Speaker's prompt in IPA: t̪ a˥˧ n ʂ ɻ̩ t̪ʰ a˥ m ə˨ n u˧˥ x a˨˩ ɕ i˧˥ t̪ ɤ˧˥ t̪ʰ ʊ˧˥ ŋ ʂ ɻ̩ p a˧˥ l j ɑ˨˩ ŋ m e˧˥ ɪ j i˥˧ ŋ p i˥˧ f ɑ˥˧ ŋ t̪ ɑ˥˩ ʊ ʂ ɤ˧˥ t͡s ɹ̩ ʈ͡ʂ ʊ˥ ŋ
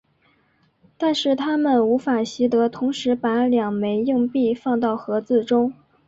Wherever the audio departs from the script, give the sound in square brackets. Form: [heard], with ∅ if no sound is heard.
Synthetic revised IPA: t̪ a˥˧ n ʂ ɻ̩ t̪ʰ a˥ m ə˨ n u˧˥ [f] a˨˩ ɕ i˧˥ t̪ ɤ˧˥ t̪ʰ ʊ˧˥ ŋ ʂ ɻ̩ p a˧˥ l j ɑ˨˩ ŋ m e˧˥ ɪ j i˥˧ ŋ p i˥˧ f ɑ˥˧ ŋ t̪ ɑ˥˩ ʊ [x] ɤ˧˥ t͡s ɹ̩ ʈ͡ʂ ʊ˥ ŋ